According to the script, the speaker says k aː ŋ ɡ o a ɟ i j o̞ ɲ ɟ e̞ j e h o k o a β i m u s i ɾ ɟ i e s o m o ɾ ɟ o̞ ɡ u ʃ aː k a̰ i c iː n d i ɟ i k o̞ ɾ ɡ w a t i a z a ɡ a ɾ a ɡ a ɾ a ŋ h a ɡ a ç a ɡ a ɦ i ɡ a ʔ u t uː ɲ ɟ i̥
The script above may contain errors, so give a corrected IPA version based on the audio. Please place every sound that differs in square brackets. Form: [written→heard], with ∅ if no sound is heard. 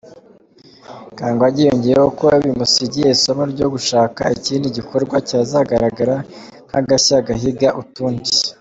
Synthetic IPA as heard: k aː ŋ ɡ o a ɟ i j o̞ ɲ ɟ e̞ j e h o k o a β i m u s i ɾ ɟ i e s o m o ɾ ɟ o̞ ɡ u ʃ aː k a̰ i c iː n d i ɟ i k o̞ ɾ ɡ w a [t→c] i a z a ɡ a ɾ a ɡ a ɾ a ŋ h a ɡ a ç a ɡ a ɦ i ɡ a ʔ u t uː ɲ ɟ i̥